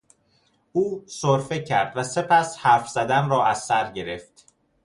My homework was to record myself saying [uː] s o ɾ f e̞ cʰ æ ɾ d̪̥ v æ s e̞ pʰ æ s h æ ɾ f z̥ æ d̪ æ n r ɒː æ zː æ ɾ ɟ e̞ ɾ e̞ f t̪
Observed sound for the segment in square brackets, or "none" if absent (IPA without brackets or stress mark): uː